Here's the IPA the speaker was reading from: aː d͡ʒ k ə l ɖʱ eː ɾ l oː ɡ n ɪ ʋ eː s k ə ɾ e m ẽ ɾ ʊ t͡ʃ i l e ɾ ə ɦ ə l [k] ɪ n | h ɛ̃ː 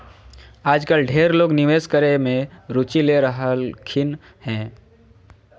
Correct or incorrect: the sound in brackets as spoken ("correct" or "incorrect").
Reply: incorrect